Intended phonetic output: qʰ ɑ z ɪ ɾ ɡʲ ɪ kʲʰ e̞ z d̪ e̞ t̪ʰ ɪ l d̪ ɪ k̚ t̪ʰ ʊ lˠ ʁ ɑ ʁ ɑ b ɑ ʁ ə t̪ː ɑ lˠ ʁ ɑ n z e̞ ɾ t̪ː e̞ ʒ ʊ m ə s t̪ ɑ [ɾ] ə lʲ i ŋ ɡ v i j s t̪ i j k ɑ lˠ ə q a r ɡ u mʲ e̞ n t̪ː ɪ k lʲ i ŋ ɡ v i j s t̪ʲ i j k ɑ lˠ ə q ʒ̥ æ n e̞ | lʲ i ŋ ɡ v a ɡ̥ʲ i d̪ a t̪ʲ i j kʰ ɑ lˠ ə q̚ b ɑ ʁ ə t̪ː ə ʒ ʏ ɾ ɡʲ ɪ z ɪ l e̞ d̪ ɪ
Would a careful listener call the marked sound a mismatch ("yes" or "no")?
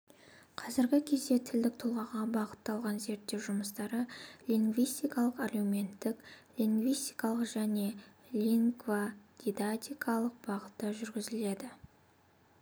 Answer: no